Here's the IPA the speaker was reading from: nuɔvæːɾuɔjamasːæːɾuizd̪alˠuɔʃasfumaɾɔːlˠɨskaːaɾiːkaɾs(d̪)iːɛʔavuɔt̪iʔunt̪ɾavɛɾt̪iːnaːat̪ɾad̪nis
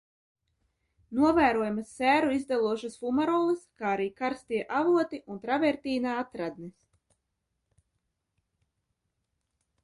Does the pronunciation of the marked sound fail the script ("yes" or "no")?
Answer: yes